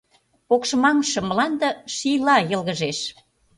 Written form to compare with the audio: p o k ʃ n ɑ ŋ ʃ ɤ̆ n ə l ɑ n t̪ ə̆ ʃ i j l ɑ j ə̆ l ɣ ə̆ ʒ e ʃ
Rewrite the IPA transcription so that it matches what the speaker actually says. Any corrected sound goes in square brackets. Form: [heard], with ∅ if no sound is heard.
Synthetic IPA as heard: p o k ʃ [m] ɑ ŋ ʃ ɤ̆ [m] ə l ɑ n [d̪] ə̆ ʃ i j l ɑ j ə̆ l ɣ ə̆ ʒ e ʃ